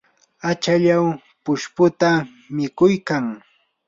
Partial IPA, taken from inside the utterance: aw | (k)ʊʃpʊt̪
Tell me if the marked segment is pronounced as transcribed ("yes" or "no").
no